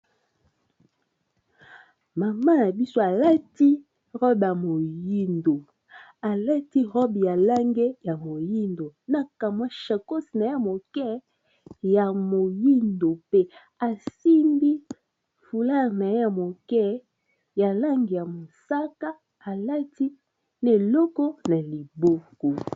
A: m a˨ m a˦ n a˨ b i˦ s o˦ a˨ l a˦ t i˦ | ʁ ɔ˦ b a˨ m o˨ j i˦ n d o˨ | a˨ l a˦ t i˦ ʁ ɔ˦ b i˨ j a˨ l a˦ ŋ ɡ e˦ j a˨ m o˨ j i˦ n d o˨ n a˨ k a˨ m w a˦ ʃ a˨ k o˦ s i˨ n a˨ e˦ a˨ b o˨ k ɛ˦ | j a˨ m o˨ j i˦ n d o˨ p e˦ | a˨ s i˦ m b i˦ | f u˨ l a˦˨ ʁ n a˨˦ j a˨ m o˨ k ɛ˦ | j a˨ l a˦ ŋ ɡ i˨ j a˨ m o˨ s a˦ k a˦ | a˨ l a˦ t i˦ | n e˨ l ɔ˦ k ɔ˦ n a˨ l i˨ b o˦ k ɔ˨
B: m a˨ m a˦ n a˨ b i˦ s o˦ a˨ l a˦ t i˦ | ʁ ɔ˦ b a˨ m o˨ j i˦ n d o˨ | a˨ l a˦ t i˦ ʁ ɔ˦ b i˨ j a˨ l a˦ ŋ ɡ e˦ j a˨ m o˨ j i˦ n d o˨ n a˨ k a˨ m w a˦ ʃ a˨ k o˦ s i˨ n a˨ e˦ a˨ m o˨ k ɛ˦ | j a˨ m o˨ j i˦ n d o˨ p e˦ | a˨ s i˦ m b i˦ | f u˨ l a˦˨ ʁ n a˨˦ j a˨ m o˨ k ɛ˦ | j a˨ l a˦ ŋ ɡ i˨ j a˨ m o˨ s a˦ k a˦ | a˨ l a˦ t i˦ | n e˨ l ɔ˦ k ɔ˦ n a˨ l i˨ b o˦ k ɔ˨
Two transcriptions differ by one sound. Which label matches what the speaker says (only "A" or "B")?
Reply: B